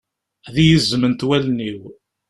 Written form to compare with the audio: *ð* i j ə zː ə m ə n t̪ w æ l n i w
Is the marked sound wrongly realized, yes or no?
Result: no